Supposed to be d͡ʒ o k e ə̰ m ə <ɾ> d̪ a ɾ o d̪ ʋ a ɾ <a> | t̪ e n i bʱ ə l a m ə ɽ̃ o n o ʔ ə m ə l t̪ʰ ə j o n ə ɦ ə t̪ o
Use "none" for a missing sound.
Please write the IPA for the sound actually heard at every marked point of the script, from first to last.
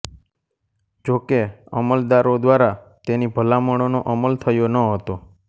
l, a

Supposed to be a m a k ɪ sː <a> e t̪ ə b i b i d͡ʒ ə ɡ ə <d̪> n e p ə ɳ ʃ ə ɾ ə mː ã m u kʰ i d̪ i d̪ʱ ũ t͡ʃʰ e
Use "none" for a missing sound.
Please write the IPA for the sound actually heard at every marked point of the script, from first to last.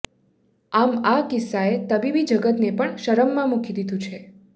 a, t̪

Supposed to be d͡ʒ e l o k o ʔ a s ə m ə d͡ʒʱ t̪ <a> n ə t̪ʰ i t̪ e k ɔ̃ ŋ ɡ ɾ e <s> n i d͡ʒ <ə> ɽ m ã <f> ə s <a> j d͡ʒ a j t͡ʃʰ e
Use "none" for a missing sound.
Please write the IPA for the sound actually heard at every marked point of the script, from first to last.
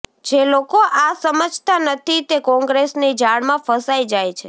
a, s, a, f, a

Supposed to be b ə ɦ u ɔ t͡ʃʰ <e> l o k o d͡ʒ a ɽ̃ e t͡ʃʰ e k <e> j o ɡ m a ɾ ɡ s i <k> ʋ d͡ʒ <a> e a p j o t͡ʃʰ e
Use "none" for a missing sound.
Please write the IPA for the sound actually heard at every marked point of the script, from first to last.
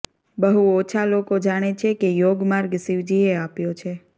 a, e, none, i

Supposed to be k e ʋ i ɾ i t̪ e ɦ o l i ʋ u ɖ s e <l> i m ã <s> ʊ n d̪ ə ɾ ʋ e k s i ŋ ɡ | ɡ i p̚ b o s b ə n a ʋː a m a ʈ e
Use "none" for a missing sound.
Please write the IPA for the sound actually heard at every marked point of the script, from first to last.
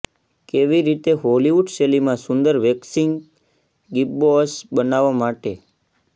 l, s

